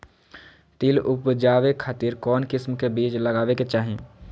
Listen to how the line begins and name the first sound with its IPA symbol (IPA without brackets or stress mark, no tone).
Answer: t̪